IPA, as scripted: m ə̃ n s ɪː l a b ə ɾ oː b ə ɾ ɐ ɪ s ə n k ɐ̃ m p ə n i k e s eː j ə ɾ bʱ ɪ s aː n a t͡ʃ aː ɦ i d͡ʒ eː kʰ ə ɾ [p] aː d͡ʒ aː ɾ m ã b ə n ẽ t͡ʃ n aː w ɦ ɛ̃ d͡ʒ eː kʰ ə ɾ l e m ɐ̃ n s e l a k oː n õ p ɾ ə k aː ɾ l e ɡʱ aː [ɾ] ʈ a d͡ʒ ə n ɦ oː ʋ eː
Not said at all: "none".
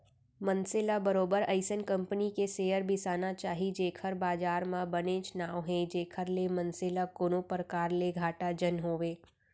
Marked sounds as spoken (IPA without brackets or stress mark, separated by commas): b, none